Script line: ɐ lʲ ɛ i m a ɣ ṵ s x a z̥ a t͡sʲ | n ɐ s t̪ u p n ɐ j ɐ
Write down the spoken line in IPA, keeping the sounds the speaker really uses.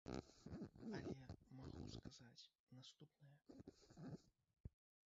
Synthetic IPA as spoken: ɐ lʲ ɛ ɛ m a ɣ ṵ s k a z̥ a t͡sʲ | n a s t̪ u p n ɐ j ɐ